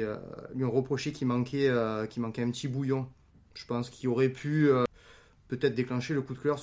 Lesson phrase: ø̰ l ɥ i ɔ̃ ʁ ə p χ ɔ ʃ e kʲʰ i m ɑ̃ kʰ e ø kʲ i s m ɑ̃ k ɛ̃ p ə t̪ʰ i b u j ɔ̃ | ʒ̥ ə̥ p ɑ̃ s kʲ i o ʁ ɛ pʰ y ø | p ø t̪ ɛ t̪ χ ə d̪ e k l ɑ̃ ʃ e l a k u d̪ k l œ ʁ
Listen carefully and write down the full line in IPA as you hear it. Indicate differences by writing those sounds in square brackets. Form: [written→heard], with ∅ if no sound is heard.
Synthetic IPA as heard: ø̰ l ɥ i ɔ̃ ʁ ə p χ ɔ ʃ e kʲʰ i m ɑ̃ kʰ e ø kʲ i [s→∅] m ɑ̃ k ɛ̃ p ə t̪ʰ i b u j ɔ̃ | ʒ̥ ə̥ p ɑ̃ s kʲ i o ʁ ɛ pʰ y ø | p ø t̪ ɛ t̪ χ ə d̪ e k l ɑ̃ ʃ e l [a→ə] k u d̪ k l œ ʁ